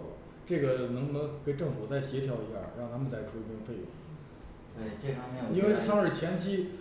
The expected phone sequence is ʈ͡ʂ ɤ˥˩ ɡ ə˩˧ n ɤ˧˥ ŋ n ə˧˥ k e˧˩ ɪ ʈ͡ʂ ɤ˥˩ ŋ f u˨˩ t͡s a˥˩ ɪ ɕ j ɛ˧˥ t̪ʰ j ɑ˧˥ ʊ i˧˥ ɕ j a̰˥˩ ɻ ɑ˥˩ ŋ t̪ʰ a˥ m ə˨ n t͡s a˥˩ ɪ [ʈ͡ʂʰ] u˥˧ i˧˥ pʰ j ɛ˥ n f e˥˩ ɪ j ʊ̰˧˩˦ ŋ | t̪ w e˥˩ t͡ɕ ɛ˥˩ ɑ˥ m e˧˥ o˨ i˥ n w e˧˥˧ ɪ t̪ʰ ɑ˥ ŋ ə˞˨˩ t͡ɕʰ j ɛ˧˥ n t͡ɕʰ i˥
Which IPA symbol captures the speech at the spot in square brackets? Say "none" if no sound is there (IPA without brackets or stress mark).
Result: ʈ͡ʂʰ